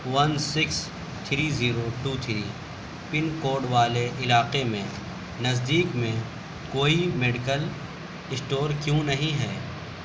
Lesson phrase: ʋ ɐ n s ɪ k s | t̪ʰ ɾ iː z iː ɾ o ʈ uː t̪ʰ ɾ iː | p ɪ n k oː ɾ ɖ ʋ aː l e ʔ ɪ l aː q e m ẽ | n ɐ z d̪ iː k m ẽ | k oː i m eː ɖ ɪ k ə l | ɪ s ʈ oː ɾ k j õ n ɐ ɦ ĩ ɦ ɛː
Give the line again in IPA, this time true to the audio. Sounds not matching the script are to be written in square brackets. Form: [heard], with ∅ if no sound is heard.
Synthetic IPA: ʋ ɐ n s ɪ k s | t̪ʰ ɾ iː z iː ɾ o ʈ uː t̪ʰ ɾ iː | p ɪ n k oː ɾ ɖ ʋ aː l e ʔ ɪ l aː q e m ẽ | n ɐ z d̪ iː k m ẽ | k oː i m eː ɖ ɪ k ə l | ɪ s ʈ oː ɾ k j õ n ɐ ɦ ĩ ɦ ɛː